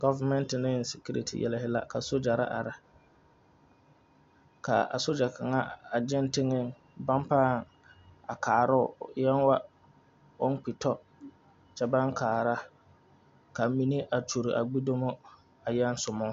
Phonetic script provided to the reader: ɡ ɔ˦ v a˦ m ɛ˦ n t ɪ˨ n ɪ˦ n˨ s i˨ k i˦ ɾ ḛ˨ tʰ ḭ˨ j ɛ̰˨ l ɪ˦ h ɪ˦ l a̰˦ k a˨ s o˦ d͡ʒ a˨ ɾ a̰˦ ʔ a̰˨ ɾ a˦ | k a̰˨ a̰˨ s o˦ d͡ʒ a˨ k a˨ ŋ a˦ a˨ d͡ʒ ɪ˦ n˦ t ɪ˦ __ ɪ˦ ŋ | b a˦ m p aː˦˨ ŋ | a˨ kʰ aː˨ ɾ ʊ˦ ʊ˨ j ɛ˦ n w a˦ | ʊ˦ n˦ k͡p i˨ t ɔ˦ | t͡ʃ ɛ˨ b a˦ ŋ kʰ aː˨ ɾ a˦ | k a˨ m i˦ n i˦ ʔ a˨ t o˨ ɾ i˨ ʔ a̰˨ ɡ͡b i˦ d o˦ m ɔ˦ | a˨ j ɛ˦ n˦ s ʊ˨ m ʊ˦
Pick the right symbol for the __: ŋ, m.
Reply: ŋ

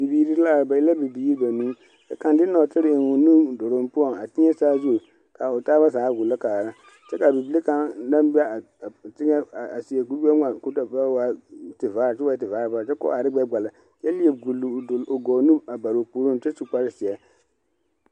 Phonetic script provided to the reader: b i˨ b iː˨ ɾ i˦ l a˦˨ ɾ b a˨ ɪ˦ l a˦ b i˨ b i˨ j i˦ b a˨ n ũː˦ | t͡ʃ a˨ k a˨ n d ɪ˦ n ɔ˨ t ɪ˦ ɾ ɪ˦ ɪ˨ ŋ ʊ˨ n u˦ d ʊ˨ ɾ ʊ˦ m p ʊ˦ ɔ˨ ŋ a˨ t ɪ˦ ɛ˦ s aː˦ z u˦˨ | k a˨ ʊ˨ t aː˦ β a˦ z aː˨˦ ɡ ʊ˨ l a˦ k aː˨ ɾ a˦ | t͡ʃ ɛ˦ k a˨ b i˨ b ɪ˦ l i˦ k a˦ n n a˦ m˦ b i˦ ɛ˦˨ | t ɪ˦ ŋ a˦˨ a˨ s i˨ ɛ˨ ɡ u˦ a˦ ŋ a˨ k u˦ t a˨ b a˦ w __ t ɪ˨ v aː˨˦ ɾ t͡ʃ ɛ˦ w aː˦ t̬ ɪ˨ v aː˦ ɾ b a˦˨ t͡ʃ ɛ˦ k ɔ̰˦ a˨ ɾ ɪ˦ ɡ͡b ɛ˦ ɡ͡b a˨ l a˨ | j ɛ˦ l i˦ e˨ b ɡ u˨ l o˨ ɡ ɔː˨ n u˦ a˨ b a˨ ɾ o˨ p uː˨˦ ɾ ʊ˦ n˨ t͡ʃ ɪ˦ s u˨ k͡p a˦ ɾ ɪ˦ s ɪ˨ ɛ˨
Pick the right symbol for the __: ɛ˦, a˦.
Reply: a˦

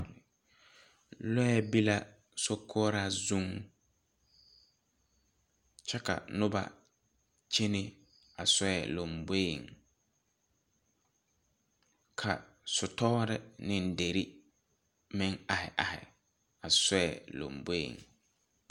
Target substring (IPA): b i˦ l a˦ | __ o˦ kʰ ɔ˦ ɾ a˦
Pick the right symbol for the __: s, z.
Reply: s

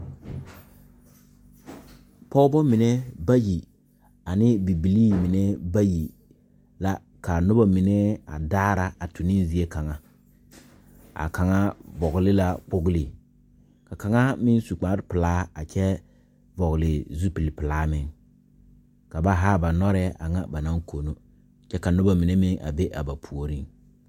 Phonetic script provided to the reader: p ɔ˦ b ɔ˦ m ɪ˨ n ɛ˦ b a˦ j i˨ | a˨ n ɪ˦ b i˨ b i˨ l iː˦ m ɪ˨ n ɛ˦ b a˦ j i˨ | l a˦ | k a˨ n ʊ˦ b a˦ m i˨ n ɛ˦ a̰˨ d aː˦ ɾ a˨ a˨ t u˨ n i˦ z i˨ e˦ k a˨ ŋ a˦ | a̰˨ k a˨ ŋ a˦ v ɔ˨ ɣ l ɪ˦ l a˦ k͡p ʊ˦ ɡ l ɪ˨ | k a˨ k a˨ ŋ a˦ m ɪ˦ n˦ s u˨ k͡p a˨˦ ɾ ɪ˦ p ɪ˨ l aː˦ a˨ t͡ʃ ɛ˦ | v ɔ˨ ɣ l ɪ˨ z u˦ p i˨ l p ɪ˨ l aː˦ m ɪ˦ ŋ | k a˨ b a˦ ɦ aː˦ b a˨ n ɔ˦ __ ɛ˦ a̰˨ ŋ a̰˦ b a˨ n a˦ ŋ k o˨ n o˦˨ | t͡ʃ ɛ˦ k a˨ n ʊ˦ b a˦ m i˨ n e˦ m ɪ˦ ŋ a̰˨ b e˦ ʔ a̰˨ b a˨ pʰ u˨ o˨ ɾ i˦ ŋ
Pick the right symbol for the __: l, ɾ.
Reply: ɾ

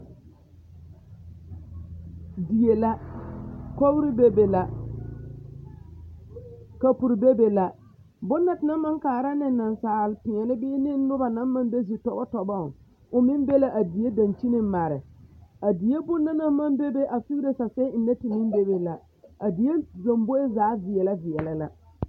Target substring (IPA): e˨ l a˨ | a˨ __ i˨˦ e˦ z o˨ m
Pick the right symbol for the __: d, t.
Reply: d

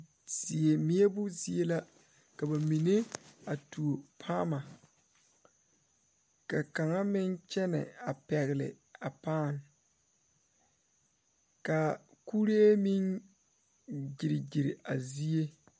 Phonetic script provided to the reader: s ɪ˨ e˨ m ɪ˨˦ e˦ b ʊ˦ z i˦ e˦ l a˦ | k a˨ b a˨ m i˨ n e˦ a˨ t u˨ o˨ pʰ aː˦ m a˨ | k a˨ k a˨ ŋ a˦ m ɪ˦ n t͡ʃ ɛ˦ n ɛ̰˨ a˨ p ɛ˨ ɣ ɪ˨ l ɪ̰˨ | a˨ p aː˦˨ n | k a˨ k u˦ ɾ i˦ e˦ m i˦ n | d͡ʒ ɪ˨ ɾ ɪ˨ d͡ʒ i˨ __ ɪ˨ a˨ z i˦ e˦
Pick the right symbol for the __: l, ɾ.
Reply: ɾ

